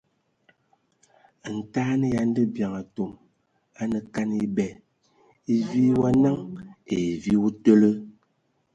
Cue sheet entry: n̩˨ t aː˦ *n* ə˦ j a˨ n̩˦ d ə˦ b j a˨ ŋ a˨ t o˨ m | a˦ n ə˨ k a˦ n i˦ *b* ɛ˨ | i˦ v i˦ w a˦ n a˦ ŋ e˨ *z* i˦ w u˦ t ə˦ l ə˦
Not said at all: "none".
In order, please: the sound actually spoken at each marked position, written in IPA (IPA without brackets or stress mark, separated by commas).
n, b, v